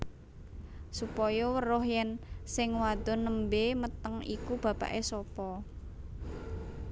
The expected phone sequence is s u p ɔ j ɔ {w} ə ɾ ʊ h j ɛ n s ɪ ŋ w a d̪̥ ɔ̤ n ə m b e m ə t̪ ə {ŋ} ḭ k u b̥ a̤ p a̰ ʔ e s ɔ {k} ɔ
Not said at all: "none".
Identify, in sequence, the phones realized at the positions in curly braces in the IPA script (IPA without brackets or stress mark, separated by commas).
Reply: w, ŋ, p